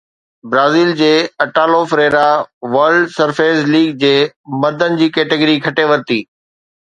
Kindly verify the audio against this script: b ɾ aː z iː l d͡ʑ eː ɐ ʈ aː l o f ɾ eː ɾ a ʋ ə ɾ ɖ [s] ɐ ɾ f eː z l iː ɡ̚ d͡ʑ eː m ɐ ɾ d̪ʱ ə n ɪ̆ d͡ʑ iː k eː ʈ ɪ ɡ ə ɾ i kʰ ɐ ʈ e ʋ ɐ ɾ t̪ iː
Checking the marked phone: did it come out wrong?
no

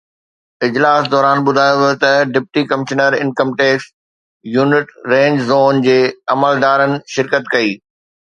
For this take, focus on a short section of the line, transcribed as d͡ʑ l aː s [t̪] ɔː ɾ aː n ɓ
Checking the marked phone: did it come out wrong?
yes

